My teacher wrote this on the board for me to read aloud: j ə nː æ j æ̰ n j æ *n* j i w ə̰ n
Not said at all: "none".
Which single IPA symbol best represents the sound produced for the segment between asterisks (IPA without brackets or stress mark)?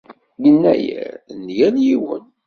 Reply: n